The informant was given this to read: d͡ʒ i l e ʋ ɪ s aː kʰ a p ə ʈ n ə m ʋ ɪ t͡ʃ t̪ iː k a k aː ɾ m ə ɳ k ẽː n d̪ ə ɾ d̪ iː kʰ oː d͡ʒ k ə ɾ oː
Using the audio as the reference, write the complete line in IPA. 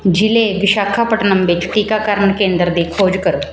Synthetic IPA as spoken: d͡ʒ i l e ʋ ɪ ʃ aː kʰ a p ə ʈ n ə m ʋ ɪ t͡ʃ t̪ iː k a k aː ɾ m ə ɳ k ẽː n d̪ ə ɾ d̪ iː kʰ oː d͡ʒ k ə ɾ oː